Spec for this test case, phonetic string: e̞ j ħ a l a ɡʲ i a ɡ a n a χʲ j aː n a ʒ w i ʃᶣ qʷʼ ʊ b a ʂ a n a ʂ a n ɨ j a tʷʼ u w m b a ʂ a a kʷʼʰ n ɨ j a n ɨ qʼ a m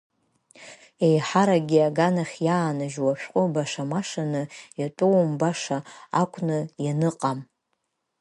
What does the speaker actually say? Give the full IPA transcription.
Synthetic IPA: e̞ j ħ a ɾ a ɡʲ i a ɡ a n a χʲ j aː n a ʒ w a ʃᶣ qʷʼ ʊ b a ʂ a m a ʂ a n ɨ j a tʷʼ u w m b a ʂ a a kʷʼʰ n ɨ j a n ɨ qʼ a m

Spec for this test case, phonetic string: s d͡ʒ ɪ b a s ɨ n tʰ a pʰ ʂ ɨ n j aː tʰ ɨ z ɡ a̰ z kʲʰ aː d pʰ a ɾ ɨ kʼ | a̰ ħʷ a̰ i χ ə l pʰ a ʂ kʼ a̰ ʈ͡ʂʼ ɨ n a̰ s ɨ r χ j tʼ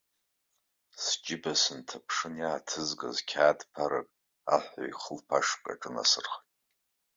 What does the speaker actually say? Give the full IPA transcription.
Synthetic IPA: s d͡ʒ ɪ b a s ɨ n tʰ a pʰ ʂ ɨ n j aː tʰ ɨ z ɡ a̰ z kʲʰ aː d pʰ a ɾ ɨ kʼ | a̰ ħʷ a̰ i χ ə l pʰ a ʂ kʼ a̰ ʈ͡ʂʼ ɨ n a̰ s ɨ r χ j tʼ

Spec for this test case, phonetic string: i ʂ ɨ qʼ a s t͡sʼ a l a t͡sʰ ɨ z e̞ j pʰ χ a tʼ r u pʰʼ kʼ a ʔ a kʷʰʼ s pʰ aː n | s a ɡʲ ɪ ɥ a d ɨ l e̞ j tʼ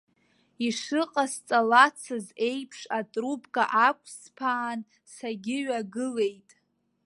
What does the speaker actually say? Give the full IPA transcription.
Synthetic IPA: i ʂ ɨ qʼ a s t͡sʼ a l a t͡sʰ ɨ z e̞ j pʰ ʂ a tʼ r u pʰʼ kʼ a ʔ a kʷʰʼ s pʰ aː n | s a ɡʲ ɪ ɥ a ɡ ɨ l e̞ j tʼ

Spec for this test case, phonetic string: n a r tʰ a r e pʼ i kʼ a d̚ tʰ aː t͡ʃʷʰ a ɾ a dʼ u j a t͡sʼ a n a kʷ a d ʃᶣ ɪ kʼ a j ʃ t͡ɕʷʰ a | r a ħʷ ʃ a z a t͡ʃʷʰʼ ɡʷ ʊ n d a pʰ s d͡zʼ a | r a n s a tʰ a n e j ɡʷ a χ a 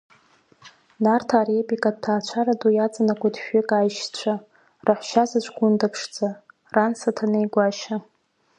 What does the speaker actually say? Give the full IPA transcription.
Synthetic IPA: n a r tʰ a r e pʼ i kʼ a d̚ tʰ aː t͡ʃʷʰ a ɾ a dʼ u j a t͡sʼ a n a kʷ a d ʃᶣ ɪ kʼ a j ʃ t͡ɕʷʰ a | r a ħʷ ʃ a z a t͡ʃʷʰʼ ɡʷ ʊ n d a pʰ ʂ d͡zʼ a | r a n s a tʰ a n e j ɡʷ a ʃ a

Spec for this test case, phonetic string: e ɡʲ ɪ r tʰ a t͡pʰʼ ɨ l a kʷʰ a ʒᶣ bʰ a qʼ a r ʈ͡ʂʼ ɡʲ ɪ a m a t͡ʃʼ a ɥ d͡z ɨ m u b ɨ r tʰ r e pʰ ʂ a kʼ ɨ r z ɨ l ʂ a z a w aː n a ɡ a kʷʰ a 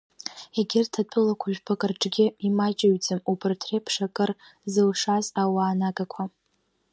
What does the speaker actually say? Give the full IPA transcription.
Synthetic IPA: e ɡʲ ɪ r tʰ a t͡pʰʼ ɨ l a kʷʰ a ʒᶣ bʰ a kʼ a r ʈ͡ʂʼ ɡʲ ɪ i m a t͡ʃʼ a ɥ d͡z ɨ m u b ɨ r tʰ r e pʰ ʂ a kʼ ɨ r z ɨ l ʂ a z a w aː n a ɡ a kʷʰ a

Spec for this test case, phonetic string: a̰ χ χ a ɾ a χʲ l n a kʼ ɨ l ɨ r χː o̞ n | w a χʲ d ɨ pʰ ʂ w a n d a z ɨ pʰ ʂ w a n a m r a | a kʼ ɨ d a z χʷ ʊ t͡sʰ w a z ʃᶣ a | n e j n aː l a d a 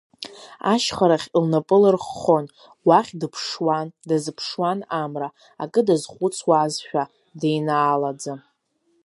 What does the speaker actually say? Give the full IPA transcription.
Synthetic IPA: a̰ ʃ χ a ɾ a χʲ l n a pʼ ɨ l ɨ r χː o̞ n | w a χʲ d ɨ pʰ ʂ w a n d a z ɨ pʰ ʂ w a n a m r a | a kʼ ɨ d a z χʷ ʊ t͡sʰ w a z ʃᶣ a | d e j n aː l a d͡z a

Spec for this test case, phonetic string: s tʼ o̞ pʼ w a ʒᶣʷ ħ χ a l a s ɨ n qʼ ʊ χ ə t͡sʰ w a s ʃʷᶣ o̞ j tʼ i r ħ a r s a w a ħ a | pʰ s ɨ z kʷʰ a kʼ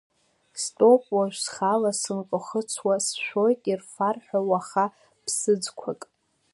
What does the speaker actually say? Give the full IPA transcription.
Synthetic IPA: s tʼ o̞ pʼ w a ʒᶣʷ s χ a l a s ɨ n qʼ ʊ χ ə t͡sʰ w a s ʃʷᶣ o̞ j tʼ i r f a r ħ a w a χ a | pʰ s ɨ d͡z kʷʰ a kʼ

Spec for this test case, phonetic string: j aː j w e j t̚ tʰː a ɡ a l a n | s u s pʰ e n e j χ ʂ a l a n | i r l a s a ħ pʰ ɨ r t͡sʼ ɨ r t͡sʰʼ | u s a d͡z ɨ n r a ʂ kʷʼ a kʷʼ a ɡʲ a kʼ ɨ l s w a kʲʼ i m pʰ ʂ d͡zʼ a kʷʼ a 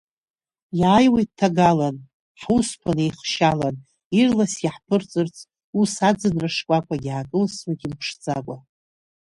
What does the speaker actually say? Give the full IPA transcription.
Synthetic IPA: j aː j w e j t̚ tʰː a ɡ a l a n | ħ u s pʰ a n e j χ ʃ a l a n | i r l a s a ħ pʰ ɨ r t͡sʼ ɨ r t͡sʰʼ | u s a d͡z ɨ n r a ʂ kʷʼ a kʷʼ a ɡʲ a kʼ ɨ l s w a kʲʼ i m pʰ ʂ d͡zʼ a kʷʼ a

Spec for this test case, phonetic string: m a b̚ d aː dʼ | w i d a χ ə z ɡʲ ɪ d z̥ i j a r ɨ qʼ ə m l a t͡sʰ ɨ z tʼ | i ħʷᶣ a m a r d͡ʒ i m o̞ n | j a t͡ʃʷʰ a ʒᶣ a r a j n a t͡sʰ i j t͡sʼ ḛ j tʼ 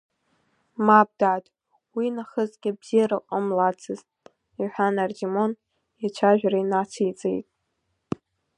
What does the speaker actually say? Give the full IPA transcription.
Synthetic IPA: m a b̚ d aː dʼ | w i n a χ ə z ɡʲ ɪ b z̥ i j a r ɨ qʼ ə m l a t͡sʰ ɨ z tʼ | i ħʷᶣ a n a r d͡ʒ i m o̞ n | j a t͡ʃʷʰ a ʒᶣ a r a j n a t͡sʰ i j t͡sʼ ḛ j tʼ

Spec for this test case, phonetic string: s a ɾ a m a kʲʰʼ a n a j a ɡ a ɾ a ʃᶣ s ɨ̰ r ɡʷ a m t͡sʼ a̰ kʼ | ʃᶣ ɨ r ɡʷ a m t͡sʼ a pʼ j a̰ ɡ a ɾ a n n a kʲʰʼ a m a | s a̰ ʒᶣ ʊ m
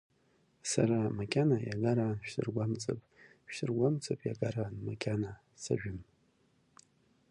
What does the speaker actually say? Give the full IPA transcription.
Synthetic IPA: s a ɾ a m a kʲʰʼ a n a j a ɡ a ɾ a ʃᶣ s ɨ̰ r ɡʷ a m t͡sʼ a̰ pʼ | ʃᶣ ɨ r ɡʷ a m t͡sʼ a pʼ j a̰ ɡ a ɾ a n m a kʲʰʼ a n a | s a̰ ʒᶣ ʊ m

